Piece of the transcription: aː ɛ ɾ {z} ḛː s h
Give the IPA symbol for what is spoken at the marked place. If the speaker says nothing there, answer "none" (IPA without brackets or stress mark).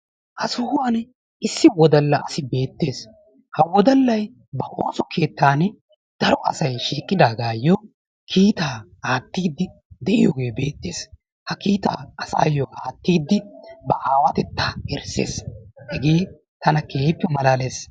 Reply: s